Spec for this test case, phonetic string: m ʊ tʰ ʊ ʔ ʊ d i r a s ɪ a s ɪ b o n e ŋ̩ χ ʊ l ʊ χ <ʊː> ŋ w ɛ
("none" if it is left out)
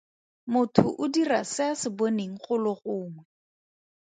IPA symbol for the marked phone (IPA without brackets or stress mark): ʊː